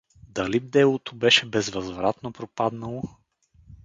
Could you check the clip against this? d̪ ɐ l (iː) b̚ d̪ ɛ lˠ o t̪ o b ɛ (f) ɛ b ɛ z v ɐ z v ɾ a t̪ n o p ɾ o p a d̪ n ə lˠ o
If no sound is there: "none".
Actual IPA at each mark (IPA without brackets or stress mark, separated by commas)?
i, ʃ